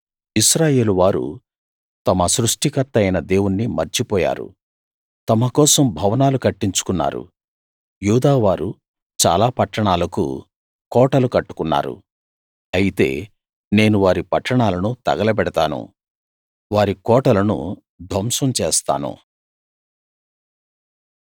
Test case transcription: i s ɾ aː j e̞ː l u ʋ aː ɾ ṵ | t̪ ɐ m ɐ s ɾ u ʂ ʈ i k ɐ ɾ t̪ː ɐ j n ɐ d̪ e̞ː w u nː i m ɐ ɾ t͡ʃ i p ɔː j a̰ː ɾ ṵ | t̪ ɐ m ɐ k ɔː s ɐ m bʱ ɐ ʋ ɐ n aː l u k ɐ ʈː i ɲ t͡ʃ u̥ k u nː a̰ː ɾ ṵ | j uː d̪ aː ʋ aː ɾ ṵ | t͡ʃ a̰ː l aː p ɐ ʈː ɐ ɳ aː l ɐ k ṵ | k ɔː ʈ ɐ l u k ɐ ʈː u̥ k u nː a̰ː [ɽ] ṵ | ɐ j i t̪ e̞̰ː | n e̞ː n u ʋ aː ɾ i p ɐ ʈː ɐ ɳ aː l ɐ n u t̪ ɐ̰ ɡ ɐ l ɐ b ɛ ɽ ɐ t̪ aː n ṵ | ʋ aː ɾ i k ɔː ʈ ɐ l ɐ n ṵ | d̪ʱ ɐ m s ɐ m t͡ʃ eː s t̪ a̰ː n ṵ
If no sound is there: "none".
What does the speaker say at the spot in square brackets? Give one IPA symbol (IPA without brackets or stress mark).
ɾ